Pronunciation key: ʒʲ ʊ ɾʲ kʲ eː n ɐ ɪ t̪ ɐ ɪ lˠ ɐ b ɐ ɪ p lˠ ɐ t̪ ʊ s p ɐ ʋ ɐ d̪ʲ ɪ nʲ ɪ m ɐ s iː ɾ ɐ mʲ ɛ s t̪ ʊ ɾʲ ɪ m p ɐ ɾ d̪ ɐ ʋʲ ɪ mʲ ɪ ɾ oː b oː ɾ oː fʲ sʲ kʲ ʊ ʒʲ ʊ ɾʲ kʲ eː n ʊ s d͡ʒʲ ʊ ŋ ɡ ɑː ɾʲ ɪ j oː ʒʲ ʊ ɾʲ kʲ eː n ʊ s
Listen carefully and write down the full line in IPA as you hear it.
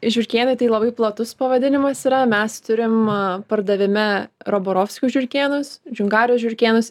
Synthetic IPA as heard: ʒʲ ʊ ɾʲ kʲ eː n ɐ ɪ t̪ ɐ ɪ lˠ ɐ b ɐ ɪ p lˠ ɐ t̪ ʊ s p ɐ ʋ ɐ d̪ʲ ɪ nʲ ɪ m ɐ s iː ɾ ɐ mʲ ɛ s t̪ ʊ ɾʲ ɪ m p ɐ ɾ d̪ ɐ ʋʲ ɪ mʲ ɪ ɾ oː b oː ɾ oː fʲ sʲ kʲ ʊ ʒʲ ʊ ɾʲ kʲ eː n ʊ s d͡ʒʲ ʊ ŋ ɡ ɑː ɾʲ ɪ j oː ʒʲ ʊ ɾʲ kʲ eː n ʊ s

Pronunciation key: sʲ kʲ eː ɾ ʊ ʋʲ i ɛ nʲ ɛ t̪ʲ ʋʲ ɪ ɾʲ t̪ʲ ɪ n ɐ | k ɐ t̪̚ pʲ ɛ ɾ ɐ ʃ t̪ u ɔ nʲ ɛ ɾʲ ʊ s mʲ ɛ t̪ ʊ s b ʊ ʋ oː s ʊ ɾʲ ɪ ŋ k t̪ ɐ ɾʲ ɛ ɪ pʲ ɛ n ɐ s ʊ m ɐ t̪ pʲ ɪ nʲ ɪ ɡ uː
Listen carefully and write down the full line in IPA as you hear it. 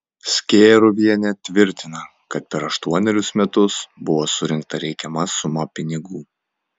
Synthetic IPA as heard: sʲ kʲ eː ɾ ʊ ʋʲ i ɛ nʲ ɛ t̪ʲ ʋʲ ɪ ɾʲ t̪ʲ ɪ n ɐ | k ɐ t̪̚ pʲ ɛ ɾ ɐ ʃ t̪ u ɔ nʲ ɛ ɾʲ ʊ s mʲ ɛ t̪ ʊ s b ʊ ʋ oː s ʊ ɾʲ ɪ ŋ k t̪ ɐ ɾʲ ɛ ɪ kʲ ɛ m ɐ s ʊ m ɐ pʲ ɪ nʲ ɪ ɡ uː

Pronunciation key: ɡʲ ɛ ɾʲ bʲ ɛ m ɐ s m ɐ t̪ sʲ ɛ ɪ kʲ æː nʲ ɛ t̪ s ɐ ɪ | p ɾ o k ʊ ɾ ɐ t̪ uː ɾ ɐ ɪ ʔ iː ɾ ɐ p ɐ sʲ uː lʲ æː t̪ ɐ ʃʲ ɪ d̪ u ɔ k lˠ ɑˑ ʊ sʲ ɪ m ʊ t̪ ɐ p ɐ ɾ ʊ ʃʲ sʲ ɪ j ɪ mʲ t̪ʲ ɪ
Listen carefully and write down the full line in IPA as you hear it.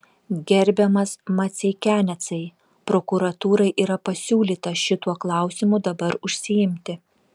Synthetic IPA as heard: ɡʲ ɛ ɾʲ bʲ ɛ m ɐ s m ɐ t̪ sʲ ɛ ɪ kʲ æː nʲ ɛ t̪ s ɐ ɪ | p ɾ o k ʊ ɾ ɐ t̪ uː ɾ ɐ ɪ ʔ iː ɾ ɐ p ɐ sʲ uː lʲ iː t̪ ɐ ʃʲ ɪ t̪ u ɔ k lˠ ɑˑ ʊ sʲ ɪ m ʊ d̪ ɐ b ɐ ɾ ʊ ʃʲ sʲ ɪ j ɪ mʲ t̪ʲ ɪ

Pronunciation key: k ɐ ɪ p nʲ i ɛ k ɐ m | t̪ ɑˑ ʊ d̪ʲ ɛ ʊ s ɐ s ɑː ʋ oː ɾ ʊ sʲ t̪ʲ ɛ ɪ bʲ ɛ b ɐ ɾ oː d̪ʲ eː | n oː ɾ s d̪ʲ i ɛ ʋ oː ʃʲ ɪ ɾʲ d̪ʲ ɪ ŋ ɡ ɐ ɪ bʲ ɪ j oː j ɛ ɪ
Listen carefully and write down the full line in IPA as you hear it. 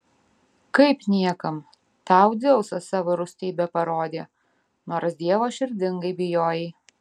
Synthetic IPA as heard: k ɐ ɪ p nʲ i ɛ k ɐ m | t̪ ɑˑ ʊ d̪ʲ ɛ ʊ s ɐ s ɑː ʋ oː ɾ ʊ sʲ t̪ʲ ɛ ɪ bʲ ɛ p ɐ ɾ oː d̪ʲ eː | n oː ɾ s d̪ʲ i ɛ ʋ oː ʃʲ ɪ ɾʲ d̪ʲ ɪ ŋ ɡ ɐ ɪ bʲ ɪ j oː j ɛ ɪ

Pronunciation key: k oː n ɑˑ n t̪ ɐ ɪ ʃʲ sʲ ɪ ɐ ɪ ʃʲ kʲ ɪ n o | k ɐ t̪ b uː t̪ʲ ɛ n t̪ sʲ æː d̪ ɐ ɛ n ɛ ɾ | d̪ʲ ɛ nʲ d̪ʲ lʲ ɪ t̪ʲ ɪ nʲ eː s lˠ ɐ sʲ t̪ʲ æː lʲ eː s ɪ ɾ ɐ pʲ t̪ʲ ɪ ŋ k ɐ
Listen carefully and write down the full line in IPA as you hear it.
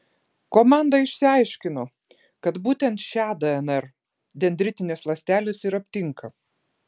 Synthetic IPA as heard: k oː m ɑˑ n d̪ ɐ ɪ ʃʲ sʲ ɪ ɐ ɪ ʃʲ kʲ ɪ n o | k ɐ t̪ b uː t̪ʲ ɛ n t̪ ʃʲ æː d̪ ɐ ɛ n ɛ ɾ | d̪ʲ ɛ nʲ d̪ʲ ɾʲ ɪ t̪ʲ ɪ nʲ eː s lˠ ɐ sʲ t̪ʲ æː lʲ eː s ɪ ɾ ɐ pʲ t̪ʲ ɪ ŋ k ɐ

